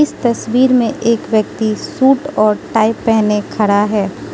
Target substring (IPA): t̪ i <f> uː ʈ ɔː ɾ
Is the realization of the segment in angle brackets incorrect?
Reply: yes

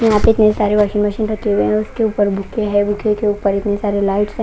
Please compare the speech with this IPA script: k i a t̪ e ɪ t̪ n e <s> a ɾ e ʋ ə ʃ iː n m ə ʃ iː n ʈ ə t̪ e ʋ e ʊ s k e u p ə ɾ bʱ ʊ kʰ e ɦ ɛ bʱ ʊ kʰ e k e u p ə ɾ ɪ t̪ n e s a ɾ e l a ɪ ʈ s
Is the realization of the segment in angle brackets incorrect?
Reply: no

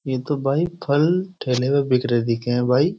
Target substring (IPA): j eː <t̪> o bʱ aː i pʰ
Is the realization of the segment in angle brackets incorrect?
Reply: no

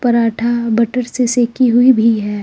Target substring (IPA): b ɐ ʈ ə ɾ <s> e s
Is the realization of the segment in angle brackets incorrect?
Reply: no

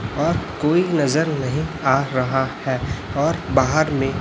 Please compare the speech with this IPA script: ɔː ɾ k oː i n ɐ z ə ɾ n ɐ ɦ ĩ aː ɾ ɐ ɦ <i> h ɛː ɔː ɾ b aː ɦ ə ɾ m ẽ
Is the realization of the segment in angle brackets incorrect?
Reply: yes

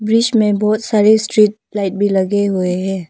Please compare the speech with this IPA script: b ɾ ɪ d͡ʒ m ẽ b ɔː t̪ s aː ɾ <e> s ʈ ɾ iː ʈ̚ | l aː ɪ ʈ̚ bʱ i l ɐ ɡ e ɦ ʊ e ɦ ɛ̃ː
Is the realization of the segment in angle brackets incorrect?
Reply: no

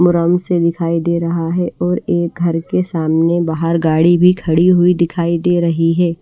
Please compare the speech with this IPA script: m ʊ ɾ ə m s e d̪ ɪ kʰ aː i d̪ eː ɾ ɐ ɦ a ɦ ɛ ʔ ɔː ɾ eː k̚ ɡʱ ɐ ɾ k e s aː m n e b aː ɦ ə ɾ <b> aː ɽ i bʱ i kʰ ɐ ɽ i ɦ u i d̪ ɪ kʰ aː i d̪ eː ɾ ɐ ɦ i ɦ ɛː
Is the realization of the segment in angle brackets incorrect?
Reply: yes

